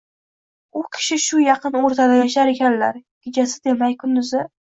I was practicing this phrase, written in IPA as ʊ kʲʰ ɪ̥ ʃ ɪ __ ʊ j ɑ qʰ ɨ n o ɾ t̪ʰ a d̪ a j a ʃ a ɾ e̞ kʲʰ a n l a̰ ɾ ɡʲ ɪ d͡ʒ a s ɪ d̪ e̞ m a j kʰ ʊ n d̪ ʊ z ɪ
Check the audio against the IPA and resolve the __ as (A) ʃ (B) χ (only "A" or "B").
A